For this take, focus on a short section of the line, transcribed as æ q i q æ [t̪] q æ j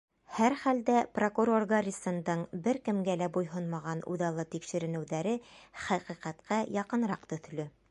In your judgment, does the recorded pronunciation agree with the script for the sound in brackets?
yes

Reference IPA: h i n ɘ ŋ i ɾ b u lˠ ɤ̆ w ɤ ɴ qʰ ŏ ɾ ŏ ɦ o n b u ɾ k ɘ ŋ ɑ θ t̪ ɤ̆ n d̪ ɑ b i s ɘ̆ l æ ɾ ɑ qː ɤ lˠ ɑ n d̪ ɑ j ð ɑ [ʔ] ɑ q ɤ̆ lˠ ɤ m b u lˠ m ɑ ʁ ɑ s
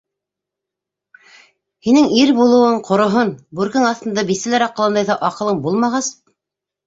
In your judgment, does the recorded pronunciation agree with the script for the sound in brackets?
yes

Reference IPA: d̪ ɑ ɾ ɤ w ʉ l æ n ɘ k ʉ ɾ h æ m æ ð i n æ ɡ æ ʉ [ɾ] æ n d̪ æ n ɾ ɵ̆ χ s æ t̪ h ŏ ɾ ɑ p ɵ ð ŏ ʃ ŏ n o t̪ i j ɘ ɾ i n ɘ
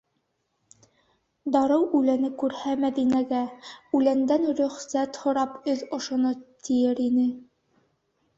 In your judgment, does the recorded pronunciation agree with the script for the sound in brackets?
no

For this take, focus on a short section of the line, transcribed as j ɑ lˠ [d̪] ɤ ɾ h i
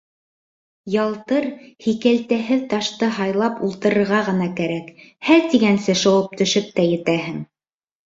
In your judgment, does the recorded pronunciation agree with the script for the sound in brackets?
no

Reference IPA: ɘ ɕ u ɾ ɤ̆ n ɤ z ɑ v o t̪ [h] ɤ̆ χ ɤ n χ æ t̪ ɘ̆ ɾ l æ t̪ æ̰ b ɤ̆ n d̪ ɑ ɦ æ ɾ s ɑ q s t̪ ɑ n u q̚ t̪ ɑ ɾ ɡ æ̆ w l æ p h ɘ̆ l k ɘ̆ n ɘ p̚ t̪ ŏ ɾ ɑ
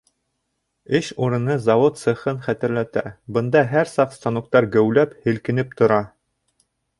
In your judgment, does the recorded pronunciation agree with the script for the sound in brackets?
no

